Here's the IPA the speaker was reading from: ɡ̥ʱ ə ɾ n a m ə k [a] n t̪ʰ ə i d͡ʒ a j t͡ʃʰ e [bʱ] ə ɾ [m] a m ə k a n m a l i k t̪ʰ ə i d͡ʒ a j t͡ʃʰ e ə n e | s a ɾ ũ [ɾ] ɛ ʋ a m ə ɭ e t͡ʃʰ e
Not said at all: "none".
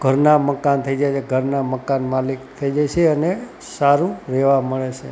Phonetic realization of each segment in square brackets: a, ɡʱ, n, ɾ

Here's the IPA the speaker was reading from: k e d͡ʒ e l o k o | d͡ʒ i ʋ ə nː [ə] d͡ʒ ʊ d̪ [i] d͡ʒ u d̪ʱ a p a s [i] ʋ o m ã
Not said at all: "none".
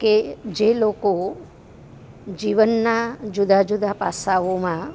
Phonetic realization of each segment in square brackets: a, a, a

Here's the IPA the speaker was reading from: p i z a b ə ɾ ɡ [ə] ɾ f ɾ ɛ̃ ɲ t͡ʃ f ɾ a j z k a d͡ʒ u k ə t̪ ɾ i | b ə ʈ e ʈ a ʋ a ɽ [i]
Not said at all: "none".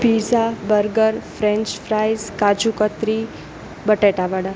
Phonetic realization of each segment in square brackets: ə, a

